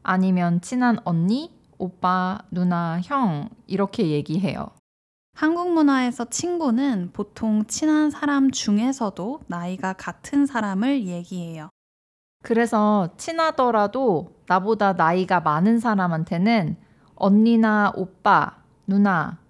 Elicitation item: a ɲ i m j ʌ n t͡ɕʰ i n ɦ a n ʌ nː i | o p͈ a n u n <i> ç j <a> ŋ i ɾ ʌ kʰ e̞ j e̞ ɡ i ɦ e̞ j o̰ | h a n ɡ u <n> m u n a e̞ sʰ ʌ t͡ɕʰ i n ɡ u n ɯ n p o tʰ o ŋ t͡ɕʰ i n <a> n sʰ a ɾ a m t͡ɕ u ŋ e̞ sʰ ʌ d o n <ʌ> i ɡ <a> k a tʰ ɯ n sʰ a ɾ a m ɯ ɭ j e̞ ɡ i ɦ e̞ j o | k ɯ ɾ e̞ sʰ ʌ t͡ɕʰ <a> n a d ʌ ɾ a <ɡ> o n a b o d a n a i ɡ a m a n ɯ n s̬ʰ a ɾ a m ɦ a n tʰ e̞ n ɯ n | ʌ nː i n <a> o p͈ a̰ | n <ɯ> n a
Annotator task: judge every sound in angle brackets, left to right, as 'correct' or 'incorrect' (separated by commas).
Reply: incorrect, incorrect, incorrect, correct, incorrect, correct, incorrect, incorrect, correct, incorrect